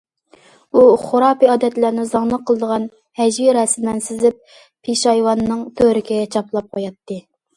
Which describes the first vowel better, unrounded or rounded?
rounded